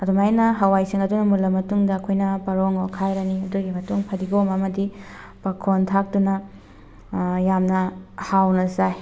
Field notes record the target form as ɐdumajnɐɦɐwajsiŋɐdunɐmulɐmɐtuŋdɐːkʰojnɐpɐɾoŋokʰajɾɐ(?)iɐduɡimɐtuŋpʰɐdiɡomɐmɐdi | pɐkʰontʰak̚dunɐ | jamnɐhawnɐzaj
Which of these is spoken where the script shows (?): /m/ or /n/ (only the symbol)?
n